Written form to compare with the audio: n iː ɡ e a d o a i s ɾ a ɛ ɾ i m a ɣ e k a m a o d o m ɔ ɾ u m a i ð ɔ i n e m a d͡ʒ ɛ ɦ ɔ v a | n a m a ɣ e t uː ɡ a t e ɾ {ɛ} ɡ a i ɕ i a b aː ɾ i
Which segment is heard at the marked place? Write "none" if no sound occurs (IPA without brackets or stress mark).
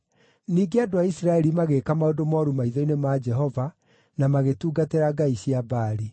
a